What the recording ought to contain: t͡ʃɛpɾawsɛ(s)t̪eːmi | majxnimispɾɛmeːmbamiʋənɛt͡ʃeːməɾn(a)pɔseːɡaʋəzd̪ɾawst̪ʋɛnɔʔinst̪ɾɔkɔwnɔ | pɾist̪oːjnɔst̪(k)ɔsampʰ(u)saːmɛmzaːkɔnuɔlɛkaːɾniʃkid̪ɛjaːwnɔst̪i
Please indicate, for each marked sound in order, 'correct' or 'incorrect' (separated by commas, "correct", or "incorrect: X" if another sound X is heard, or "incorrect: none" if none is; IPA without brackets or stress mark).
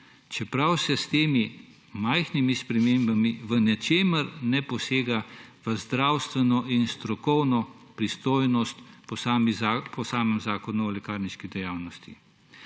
correct, incorrect: ɛ, incorrect: p, incorrect: ɔ